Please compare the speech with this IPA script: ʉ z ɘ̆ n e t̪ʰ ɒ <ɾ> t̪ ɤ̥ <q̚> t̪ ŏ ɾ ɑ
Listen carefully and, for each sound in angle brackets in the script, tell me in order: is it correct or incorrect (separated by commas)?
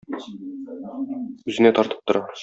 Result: correct, incorrect